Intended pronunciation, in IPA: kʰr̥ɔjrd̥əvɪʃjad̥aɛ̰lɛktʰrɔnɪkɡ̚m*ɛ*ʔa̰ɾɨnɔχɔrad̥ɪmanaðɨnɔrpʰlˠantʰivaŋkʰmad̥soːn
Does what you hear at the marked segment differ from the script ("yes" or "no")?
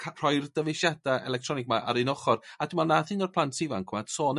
yes